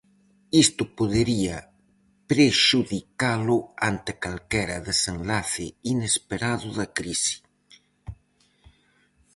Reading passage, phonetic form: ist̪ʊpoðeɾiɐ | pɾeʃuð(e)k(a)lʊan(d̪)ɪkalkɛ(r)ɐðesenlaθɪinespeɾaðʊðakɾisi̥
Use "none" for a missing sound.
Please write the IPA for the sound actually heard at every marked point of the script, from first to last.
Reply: i, a, t̪, ɾ

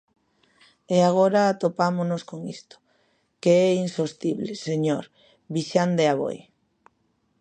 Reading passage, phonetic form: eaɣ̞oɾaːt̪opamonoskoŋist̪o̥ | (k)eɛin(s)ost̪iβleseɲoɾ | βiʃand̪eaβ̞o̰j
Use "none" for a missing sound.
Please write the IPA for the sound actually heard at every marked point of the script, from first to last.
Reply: k, s

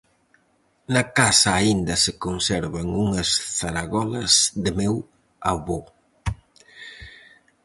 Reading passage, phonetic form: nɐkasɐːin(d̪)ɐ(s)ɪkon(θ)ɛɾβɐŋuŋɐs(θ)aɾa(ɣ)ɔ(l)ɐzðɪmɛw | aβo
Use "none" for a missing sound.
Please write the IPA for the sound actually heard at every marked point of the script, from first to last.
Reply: d̪, s, s, θ, ɣ, l

